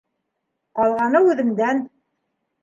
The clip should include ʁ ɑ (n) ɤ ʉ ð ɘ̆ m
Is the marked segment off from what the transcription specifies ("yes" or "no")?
no